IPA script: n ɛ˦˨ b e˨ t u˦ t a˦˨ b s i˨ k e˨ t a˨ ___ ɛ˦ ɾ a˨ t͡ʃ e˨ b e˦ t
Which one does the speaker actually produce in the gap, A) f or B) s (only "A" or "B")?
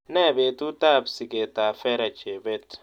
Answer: A